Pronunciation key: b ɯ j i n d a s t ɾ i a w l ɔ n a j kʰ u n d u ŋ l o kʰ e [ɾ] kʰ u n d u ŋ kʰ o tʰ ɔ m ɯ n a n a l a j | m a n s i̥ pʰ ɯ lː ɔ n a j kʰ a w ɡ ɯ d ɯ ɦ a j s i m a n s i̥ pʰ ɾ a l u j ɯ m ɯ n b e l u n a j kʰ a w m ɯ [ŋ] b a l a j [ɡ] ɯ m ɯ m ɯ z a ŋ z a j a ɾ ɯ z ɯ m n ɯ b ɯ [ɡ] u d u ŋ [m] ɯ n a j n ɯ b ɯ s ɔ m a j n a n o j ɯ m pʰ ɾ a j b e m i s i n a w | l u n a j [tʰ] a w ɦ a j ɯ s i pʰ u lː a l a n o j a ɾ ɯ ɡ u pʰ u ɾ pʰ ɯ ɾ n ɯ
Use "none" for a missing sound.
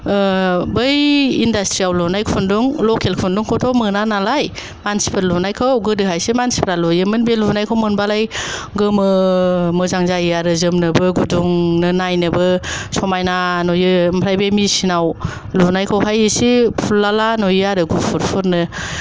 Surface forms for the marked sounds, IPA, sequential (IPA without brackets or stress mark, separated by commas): l, n, ɡ, ɡ, n, kʰ